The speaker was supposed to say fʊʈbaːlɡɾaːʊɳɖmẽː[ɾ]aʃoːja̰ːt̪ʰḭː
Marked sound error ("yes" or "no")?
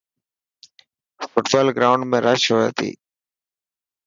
no